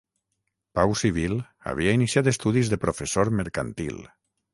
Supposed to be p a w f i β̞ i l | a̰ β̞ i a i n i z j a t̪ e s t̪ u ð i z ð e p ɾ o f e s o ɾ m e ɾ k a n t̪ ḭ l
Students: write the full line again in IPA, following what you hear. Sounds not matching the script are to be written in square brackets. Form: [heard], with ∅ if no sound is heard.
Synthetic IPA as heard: p a w [s] i β̞ i l | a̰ β̞ i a i n i [s] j a t̪ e s t̪ u ð i z ð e p ɾ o f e s o ɾ m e ɾ k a n t̪ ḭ l